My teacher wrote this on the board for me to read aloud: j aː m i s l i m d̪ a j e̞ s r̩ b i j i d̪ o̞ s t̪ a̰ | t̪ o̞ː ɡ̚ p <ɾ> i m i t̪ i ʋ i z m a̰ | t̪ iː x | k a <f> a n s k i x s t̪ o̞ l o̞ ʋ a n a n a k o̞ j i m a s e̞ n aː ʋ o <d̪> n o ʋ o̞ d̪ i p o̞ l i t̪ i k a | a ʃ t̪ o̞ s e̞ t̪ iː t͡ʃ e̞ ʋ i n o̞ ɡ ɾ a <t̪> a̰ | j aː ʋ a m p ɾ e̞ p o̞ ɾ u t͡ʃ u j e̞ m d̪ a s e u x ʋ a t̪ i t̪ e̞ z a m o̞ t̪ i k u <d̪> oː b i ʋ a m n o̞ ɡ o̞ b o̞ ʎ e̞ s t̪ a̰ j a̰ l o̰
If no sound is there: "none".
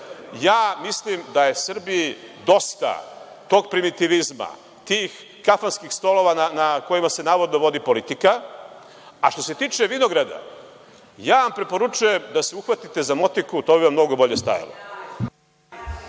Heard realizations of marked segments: ɾ, f, d̪, d̪, t̪

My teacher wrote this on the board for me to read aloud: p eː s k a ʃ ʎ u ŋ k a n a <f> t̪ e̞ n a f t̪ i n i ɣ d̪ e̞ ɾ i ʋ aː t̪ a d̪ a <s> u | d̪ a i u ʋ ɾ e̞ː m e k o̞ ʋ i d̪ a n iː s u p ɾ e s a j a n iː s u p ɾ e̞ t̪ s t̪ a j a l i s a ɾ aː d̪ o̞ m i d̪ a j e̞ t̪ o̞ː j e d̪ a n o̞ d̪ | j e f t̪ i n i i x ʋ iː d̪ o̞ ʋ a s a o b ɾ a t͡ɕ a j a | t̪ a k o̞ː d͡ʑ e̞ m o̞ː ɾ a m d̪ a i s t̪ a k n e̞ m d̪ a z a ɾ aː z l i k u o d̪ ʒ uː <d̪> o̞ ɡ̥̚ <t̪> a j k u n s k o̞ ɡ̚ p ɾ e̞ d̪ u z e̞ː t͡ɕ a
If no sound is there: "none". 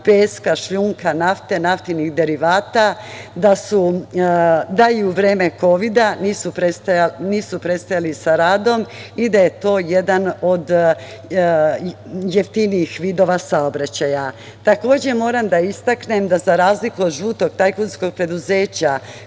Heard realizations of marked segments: f, s, t̪, t̪

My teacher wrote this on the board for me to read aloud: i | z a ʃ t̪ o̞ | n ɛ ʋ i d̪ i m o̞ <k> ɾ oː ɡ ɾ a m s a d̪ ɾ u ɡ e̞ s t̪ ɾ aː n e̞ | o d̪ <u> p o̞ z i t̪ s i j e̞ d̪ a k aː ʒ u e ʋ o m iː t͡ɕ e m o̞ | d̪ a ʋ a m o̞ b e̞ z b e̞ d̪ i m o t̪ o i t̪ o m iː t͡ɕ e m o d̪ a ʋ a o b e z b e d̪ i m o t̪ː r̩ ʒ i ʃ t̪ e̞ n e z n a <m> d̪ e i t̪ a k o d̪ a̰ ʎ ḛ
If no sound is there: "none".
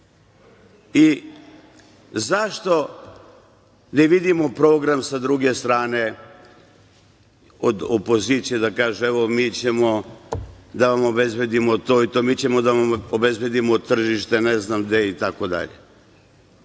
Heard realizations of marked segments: p, o, m

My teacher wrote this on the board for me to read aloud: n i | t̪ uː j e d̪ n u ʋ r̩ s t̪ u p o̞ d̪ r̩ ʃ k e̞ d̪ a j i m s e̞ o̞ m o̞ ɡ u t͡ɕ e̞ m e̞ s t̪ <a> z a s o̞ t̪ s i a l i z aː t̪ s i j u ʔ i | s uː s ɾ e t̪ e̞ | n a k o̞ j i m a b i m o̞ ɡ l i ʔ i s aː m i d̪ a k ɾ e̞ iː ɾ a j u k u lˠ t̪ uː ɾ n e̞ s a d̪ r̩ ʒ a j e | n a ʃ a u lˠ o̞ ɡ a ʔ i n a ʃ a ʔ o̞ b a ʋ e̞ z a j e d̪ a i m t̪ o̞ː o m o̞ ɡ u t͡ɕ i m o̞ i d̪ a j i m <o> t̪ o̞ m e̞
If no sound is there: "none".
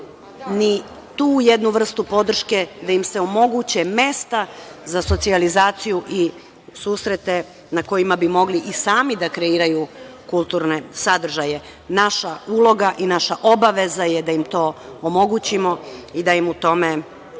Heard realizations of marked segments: a, u

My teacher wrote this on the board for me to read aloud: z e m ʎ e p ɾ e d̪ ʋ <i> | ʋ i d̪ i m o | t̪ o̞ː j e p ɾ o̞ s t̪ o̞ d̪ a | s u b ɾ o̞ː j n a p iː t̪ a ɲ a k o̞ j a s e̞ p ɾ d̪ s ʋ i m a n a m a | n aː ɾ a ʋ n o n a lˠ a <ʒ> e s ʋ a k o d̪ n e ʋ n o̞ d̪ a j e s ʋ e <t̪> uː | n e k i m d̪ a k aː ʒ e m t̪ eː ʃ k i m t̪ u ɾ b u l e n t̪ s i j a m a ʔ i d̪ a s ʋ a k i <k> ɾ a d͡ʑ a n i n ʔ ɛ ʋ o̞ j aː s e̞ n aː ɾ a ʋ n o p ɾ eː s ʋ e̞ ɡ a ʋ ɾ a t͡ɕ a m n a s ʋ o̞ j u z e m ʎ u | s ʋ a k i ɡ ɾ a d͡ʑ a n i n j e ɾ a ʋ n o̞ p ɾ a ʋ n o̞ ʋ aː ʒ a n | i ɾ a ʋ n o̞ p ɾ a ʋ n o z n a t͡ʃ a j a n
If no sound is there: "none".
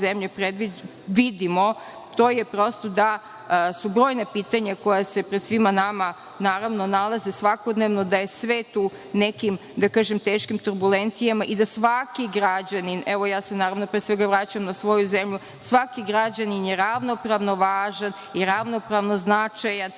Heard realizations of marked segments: i, z, t̪, ɡ

